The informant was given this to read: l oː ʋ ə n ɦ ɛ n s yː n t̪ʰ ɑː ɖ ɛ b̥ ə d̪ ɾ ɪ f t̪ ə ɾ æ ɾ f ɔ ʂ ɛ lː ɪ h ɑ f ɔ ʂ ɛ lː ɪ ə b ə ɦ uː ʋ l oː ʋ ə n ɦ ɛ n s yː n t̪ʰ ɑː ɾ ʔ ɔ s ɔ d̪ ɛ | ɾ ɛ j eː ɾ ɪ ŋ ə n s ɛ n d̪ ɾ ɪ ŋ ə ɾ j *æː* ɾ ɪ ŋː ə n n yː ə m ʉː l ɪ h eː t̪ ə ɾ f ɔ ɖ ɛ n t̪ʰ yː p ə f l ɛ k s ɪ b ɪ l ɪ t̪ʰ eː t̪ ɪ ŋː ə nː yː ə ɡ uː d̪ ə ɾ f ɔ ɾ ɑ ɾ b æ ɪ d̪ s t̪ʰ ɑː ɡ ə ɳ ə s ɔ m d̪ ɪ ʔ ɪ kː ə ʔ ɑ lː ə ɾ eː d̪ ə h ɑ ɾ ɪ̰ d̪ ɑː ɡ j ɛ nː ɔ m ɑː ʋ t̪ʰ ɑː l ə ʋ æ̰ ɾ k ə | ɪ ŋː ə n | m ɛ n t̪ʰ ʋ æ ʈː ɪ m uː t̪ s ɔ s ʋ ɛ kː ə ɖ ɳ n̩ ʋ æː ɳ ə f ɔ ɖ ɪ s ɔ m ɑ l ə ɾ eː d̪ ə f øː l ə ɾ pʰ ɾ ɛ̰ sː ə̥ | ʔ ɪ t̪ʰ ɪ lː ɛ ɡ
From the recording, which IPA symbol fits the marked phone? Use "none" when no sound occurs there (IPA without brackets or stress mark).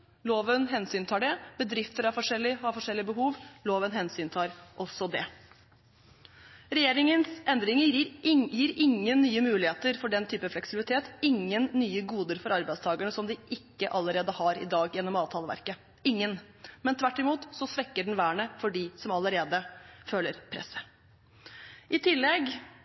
iː